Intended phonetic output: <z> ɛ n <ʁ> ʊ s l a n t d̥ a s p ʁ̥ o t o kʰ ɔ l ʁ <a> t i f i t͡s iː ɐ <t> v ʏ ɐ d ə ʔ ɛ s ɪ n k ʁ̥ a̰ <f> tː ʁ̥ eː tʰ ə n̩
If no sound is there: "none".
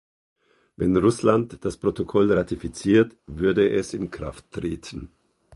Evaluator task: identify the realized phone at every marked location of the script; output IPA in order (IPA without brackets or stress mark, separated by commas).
v, ʁ, a, t, f